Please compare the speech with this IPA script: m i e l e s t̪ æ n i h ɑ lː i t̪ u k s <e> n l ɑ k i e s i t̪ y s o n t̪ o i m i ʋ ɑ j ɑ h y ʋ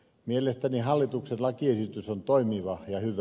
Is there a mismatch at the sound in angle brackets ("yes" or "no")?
no